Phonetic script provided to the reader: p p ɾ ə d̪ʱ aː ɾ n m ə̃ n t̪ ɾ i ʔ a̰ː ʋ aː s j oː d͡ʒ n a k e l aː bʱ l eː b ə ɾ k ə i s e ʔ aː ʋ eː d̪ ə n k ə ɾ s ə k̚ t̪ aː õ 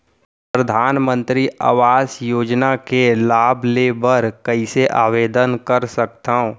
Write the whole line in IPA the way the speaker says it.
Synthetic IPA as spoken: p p ɾ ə d̪ʱ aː n m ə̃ n t̪ ɾ i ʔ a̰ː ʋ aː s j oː d͡ʒ n a k e l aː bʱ l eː b ə ɾ k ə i s e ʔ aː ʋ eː d̪ ə n k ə ɾ s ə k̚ t̪ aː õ